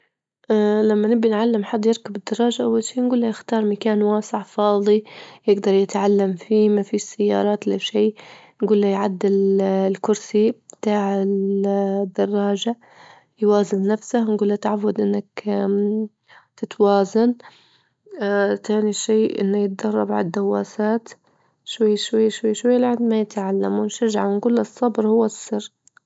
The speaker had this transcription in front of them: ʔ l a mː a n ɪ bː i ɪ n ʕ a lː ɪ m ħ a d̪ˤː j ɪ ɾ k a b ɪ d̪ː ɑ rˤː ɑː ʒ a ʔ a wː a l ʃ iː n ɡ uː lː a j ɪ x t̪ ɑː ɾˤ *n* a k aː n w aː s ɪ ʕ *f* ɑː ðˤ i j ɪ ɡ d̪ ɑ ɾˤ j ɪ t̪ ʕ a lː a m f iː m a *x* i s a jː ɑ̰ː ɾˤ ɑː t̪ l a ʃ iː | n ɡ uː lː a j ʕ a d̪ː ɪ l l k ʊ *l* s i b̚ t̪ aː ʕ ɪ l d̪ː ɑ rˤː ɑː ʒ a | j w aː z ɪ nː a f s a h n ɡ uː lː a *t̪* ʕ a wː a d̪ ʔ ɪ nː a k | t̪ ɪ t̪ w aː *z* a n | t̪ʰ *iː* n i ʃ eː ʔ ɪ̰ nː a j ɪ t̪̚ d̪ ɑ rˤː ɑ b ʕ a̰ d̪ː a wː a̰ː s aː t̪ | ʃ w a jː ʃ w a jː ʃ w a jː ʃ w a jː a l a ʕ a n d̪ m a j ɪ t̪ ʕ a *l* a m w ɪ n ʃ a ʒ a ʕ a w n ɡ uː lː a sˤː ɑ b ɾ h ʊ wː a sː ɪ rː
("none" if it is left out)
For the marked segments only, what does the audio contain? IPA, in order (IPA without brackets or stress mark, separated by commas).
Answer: m, f, f, ɾ, t̪, z, aː, lː